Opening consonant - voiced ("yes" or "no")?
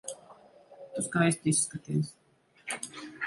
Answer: no